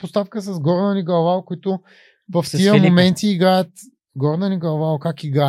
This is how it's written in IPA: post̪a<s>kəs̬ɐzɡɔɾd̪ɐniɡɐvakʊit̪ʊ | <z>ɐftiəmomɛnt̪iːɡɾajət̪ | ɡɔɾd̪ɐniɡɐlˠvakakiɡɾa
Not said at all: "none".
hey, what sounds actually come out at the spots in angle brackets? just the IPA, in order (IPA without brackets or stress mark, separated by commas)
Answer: f, v